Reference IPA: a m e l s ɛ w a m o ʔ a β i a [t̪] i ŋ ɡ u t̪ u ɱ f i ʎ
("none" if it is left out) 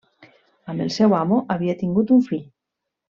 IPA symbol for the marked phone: t̪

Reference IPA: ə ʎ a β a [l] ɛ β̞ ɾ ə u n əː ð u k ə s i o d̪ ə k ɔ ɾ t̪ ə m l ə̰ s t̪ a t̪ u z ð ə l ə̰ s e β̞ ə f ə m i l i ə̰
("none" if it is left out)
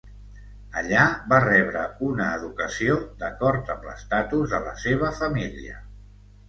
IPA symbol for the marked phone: r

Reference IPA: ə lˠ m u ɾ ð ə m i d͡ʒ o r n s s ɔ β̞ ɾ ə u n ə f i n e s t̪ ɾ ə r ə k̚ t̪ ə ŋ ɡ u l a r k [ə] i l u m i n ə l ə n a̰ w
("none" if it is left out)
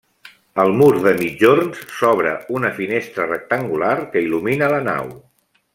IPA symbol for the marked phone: ə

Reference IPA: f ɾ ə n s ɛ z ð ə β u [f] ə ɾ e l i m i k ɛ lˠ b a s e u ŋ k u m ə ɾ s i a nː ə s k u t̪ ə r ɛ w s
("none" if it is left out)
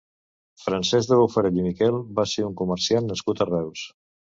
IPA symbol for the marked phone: f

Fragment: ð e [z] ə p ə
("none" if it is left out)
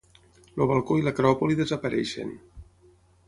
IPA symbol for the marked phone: z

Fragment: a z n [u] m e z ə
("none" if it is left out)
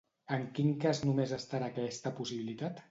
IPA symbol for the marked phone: u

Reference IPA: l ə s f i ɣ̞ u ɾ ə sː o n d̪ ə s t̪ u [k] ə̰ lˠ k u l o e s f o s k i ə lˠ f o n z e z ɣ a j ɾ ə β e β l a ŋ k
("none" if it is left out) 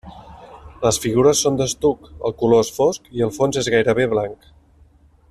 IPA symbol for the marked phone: k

